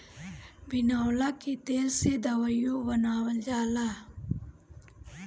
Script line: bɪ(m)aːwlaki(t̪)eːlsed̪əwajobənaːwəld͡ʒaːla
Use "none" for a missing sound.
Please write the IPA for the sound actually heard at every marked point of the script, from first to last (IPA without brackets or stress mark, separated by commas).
n, t̪